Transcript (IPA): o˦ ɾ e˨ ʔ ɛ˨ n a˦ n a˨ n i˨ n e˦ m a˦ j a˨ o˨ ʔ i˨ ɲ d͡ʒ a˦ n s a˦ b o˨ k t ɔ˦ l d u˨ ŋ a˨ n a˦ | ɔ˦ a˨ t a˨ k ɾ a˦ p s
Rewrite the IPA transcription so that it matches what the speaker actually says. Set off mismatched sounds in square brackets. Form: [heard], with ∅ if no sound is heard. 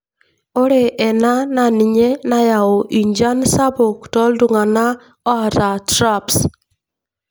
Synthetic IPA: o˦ ɾ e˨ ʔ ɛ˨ n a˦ n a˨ n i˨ [ɲ] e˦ [n] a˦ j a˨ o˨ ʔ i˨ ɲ d͡ʒ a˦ n s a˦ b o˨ k t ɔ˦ l d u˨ ŋ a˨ n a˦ | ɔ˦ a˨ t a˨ [t] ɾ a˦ p s

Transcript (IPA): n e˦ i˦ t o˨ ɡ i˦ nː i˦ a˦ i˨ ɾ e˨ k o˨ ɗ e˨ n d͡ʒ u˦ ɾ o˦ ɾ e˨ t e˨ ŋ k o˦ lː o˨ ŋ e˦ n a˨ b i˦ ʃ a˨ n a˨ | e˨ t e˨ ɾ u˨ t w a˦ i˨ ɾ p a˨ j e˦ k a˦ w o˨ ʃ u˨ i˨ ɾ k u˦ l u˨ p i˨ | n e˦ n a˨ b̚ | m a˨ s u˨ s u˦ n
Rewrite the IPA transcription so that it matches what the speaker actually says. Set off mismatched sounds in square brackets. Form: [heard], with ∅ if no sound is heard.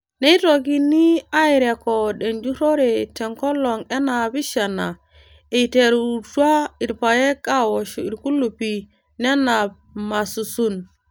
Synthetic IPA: n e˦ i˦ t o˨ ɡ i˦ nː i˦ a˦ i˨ ɾ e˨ k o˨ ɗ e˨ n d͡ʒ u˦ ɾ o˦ ɾ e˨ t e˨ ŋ k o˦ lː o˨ ŋ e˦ n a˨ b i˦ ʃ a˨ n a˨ | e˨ t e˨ ɾ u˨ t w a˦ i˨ ɾ p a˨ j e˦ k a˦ w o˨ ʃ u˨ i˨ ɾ k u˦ l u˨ p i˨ | n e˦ n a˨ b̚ | m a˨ s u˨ s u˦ n

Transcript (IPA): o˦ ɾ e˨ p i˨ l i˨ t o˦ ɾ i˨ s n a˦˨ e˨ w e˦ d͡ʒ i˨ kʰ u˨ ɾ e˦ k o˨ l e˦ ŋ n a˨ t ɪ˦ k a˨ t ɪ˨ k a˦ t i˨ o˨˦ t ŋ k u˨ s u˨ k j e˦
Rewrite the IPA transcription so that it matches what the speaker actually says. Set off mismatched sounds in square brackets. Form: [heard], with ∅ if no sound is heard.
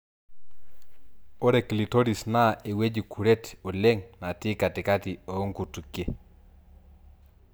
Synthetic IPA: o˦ ɾ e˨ [k] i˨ l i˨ t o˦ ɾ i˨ s n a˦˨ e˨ w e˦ d͡ʒ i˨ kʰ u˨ ɾ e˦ [t] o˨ l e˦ ŋ n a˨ t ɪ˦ k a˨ t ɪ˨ k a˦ t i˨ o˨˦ [∅] ŋ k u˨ [t] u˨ k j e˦

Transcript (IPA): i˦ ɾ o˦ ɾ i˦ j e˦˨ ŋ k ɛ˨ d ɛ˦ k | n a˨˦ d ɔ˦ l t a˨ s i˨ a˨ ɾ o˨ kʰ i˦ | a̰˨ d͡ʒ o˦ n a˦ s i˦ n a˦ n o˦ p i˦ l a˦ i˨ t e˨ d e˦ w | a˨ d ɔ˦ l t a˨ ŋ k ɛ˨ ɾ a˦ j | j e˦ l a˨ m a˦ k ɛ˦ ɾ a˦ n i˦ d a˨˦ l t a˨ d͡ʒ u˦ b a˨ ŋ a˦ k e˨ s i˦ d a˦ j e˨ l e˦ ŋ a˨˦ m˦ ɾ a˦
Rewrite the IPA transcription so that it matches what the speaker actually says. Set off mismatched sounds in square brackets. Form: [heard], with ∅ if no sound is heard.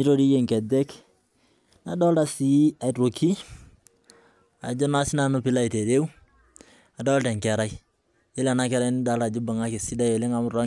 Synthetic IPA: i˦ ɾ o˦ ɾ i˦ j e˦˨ ŋ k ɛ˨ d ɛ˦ k | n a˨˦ d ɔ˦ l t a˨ s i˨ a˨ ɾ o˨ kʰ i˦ | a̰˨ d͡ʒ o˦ n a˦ s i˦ n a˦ n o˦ p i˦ l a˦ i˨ t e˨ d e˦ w | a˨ d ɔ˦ l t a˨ ŋ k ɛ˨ ɾ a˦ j | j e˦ l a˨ [n] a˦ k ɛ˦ ɾ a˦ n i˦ d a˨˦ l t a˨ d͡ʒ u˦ b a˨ ŋ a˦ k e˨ s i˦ d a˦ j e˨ l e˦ ŋ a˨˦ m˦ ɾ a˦

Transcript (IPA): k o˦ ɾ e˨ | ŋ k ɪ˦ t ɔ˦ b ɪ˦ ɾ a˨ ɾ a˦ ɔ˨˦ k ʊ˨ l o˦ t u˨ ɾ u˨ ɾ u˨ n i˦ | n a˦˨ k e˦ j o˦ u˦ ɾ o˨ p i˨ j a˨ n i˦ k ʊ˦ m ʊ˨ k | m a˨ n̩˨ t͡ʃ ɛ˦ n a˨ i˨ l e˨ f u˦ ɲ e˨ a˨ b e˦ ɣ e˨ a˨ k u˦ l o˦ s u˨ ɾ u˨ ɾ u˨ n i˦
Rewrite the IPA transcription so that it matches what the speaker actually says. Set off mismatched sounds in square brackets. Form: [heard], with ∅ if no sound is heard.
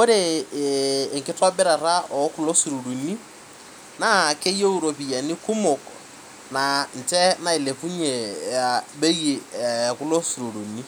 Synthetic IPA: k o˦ ɾ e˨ | ŋ k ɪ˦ t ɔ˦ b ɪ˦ ɾ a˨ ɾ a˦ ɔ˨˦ k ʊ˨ l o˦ [s] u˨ ɾ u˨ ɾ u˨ n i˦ | n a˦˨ k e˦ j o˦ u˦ ɾ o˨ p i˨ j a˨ n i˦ k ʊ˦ m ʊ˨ k | [n] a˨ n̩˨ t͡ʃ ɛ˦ n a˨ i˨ l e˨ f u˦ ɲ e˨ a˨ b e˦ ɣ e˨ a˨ k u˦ l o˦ s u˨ ɾ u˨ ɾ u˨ n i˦

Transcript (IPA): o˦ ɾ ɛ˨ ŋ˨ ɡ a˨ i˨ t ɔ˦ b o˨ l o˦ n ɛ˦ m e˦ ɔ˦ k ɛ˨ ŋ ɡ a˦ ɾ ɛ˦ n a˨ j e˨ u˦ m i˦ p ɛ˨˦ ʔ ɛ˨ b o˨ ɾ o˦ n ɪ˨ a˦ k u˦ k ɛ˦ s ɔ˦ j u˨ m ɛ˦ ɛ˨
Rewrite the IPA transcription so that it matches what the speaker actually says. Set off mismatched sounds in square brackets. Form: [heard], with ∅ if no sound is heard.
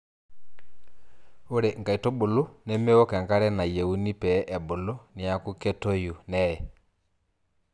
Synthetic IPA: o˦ ɾ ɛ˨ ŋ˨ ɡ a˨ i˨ t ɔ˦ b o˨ l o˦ n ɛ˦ m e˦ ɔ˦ k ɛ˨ ŋ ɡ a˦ ɾ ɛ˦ n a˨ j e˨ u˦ [n] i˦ p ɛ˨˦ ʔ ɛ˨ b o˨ [l] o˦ n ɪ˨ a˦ k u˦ k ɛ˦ [t] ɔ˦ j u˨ [n] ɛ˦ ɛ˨

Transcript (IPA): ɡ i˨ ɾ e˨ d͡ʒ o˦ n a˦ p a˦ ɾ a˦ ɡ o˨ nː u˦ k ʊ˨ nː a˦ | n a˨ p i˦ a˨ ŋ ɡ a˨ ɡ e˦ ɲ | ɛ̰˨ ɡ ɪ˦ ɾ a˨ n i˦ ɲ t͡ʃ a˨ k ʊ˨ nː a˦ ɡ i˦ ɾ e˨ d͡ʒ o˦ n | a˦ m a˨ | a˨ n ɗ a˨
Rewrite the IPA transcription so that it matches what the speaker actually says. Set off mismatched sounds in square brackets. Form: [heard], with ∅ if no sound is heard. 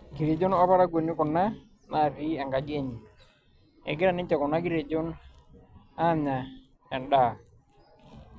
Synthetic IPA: ɡ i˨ ɾ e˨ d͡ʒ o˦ n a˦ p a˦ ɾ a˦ ɡ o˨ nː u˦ k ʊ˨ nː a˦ | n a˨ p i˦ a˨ ŋ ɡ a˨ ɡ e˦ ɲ | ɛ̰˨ ɡ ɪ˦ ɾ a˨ n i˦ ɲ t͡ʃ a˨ k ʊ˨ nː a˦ ɡ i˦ ɾ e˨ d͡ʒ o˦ n | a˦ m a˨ | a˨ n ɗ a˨

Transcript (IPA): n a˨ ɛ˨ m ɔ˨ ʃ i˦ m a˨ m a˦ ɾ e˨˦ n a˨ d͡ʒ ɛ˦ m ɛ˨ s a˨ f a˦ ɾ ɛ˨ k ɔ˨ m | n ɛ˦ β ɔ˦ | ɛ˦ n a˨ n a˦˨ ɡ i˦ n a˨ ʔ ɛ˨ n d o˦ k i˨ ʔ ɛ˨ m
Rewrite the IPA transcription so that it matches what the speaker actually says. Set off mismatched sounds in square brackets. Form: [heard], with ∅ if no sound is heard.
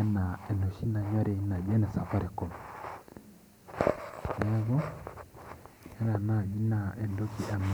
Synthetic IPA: n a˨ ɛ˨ [n] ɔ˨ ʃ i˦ [n] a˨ [ɲ] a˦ ɾ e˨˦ n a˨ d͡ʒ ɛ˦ [n] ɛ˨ s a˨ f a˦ ɾ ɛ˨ k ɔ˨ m | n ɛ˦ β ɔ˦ | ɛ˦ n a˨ n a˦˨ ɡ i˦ n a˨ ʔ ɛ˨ n d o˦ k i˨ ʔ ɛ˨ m

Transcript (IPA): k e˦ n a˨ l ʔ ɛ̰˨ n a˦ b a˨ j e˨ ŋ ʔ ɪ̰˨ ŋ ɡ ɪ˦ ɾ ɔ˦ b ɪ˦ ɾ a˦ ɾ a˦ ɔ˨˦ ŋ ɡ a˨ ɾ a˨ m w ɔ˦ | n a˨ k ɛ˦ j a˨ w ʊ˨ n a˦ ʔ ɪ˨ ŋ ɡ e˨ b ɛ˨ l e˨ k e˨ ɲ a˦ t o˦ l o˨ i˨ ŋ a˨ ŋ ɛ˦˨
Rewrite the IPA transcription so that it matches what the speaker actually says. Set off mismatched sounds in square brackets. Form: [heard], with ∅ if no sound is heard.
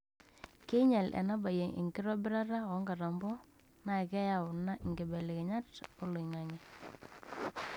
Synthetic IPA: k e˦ [ɲ] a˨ l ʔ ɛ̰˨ n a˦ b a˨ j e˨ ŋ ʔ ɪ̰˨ ŋ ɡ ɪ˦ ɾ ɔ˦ b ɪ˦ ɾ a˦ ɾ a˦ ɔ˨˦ ŋ ɡ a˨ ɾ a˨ m [b] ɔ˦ | n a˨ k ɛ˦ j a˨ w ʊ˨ n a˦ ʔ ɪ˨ ŋ ɡ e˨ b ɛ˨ l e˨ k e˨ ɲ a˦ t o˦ l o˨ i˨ ŋ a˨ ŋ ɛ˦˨

